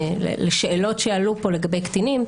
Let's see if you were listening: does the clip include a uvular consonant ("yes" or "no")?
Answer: no